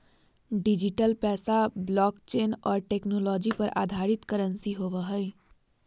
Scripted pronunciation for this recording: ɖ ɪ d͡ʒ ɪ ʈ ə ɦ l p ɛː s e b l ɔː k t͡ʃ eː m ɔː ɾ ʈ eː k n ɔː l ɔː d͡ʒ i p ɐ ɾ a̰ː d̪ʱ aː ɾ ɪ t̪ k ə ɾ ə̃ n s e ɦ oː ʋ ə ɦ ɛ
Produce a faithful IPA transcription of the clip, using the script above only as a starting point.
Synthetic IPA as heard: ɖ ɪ d͡ʒ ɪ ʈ ə l p ɛː s a b l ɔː k t͡ʃ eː n ɔː ɾ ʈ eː k n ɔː l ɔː d͡ʒ i p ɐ ɾ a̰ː d̪ʱ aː ɾ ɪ t̪ k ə ɾ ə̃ n s i ɦ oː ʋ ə ɦ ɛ